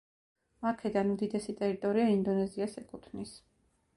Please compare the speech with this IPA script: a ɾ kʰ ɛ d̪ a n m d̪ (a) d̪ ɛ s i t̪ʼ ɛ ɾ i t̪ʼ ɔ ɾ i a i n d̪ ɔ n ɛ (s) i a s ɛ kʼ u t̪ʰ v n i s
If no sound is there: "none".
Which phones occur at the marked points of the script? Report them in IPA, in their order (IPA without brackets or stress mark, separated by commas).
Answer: i, z